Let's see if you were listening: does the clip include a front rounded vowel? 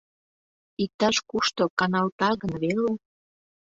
no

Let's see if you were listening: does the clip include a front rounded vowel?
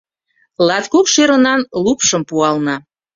no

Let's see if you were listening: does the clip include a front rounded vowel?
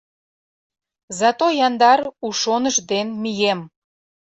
no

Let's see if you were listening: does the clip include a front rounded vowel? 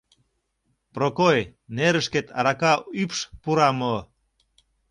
yes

